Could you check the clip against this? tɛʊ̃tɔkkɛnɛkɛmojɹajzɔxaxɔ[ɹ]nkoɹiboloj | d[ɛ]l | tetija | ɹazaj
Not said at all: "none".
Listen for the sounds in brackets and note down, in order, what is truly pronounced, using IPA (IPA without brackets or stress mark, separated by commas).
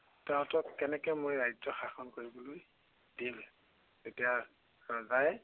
none, i